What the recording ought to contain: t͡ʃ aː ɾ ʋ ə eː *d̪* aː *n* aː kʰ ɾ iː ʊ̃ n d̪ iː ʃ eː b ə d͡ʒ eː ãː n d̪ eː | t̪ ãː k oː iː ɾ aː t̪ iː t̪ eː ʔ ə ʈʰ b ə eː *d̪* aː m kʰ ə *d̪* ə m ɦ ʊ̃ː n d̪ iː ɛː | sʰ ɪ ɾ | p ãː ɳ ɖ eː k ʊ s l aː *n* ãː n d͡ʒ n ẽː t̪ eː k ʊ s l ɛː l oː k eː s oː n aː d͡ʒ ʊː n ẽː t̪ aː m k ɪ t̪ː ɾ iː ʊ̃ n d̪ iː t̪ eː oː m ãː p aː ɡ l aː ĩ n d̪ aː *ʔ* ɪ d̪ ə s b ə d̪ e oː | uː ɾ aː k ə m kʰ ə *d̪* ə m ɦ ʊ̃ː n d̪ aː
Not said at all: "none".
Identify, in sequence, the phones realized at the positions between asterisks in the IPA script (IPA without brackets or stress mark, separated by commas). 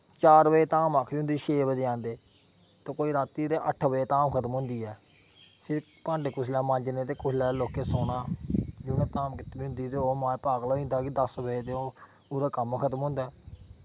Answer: t̪, m, t̪, t̪, m, k, t̪